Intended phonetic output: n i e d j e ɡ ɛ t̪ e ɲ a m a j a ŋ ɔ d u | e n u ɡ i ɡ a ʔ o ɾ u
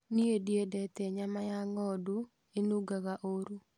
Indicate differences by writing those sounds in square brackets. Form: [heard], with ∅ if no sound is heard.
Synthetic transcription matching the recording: n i e d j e [d] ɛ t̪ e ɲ a m a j a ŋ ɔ d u | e n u ɡ [a] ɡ a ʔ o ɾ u